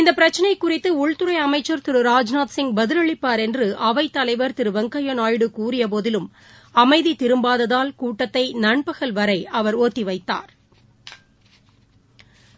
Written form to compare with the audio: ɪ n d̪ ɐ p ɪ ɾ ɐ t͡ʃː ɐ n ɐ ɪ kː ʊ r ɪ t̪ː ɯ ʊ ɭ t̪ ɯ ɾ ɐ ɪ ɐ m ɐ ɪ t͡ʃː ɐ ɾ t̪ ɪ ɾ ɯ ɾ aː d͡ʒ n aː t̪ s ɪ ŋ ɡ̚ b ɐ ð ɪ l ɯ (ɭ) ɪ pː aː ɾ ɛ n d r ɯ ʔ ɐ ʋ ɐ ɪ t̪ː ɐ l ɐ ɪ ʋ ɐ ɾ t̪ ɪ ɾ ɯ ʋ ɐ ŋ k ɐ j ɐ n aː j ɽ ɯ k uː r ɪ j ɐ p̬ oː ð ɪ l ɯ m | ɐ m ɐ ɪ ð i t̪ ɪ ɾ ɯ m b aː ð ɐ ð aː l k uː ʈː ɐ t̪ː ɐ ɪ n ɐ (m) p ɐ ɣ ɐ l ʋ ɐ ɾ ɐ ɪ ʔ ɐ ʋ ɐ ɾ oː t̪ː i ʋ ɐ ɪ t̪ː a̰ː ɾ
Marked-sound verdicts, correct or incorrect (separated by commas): correct, incorrect